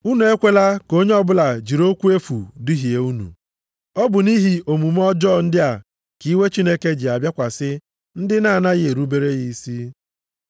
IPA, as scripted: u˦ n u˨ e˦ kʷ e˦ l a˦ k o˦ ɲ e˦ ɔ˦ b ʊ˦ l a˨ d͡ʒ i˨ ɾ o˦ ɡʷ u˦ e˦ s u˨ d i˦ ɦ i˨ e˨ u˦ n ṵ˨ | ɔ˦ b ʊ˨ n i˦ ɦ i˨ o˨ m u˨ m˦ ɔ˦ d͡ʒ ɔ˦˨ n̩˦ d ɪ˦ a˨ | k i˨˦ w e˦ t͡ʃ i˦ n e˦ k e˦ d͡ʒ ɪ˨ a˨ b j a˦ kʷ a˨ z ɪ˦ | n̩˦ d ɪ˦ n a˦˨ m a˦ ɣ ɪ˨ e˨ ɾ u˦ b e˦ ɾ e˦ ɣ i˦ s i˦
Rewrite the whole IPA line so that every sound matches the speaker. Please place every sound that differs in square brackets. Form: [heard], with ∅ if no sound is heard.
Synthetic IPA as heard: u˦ n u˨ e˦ kʷ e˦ l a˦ k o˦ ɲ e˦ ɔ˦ b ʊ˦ l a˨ d͡ʒ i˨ ɾ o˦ [kʷ] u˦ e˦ [f] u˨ d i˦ ɦ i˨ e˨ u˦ n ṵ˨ | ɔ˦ b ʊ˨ n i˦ ɦ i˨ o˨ m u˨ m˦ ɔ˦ d͡ʒ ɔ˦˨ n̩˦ d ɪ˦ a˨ | k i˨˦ w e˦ t͡ʃ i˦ n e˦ k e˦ d͡ʒ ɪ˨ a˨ b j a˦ kʷ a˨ [s] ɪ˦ | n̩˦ d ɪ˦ n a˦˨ [n] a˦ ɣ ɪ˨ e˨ ɾ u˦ b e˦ ɾ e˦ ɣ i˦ s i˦